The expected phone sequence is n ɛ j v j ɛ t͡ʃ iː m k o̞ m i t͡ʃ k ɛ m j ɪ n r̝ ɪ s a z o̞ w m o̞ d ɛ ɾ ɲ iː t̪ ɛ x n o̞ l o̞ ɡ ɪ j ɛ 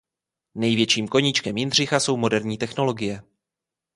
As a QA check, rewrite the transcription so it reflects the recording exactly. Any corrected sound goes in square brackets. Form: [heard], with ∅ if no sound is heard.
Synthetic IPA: n ɛ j v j ɛ t͡ʃ iː m k o̞ [ɲ] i t͡ʃ k ɛ m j ɪ n r̝ ɪ [x] a [s] o̞ w m o̞ d ɛ ɾ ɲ iː t̪ ɛ x n o̞ l o̞ ɡ ɪ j ɛ

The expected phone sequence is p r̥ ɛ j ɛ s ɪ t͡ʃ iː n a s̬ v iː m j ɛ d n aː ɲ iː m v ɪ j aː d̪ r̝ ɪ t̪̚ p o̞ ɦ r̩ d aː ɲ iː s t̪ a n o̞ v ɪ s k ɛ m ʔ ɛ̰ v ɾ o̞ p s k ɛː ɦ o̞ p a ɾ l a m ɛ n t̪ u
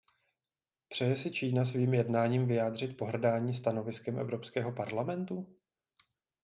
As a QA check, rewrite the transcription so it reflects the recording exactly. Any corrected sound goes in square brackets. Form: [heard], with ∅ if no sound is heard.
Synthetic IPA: p r̥ ɛ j ɛ s ɪ t͡ʃ iː n a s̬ v iː m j ɛ d n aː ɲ iː m v ɪ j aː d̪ r̝ ɪ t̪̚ p o̞ ɦ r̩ d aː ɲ iː s t̪ a n o̞ v ɪ s k ɛ m ʔ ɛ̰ v ɾ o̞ p s k ɛː ɦ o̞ p a ɾ l a m ɛ n t̪ u

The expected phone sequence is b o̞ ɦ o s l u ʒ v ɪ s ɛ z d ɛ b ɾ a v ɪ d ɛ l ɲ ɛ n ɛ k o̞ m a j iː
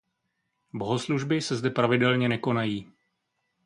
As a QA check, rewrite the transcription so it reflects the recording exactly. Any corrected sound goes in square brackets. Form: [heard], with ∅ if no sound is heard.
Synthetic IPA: b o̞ ɦ o s l u ʒ [b] ɪ s ɛ z d ɛ [p] ɾ a v ɪ d ɛ l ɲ ɛ n ɛ k o̞ [n] a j iː

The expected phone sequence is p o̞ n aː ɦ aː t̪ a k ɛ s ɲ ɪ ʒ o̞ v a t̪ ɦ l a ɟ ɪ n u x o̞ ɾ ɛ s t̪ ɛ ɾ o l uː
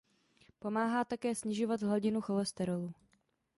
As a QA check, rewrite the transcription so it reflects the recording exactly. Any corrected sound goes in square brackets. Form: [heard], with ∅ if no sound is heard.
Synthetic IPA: p o̞ [m] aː ɦ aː t̪ a k [ɛː] s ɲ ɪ ʒ o̞ v a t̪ ɦ l a ɟ ɪ n u x o̞ [l] ɛ s t̪ ɛ ɾ o l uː

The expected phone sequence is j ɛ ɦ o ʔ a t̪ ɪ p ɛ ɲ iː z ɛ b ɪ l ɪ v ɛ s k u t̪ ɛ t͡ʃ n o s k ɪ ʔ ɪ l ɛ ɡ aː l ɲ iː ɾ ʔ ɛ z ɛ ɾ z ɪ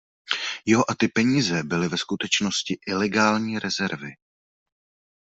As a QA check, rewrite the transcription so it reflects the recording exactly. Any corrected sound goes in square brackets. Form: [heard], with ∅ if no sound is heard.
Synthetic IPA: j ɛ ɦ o ʔ a t̪ ɪ p ɛ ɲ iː z ɛ b ɪ l ɪ v ɛ s k u t̪ ɛ t͡ʃ n o s [c] ɪ ʔ ɪ l ɛ ɡ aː l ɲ iː ɾ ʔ ɛ z ɛ ɾ [v] ɪ

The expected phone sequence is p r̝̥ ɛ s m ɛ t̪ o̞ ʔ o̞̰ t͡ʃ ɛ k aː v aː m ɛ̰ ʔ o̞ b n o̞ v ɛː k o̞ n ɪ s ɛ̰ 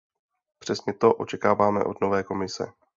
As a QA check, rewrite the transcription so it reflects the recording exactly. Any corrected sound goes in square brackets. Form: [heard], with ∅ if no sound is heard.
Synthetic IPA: p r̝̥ ɛ s [ɲ] ɛ t̪ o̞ ʔ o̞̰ t͡ʃ ɛ k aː v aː m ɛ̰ ʔ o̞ [d] n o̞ v ɛː k o̞ [m] ɪ s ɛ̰

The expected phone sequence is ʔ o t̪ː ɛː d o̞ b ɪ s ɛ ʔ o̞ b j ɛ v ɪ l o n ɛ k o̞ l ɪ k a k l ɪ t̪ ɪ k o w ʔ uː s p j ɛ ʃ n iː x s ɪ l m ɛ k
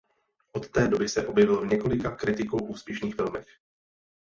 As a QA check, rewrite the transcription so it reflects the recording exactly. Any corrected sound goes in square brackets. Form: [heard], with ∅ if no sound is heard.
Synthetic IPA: ʔ o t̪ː ɛː d o̞ b ɪ s ɛ ʔ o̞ b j ɛ v ɪ l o [ɲ] ɛ k o̞ l ɪ k a k [ɾ] ɪ t̪ ɪ k o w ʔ uː s p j ɛ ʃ n iː x [f] ɪ l m ɛ [x]

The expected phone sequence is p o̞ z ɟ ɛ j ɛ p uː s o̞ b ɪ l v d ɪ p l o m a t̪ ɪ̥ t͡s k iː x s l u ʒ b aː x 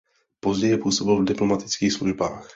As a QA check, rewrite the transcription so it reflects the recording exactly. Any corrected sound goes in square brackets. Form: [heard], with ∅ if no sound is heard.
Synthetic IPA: p o̞ z ɟ ɛ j ɛ p uː s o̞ b ɪ l v d ɪ p l o m a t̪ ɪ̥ t͡s k iː x s l u ʒ b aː x

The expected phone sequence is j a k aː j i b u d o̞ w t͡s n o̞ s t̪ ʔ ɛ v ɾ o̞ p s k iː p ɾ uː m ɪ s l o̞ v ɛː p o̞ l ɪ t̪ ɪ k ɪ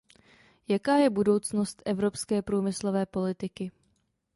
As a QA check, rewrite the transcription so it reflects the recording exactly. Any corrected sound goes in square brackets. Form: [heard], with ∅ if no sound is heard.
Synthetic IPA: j a k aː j [ɛ] b u d o̞ w t͡s n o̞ s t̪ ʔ ɛ v ɾ o̞ p s k [ɛː] p ɾ uː m ɪ s l o̞ v ɛː p o̞ l ɪ t̪ ɪ k ɪ

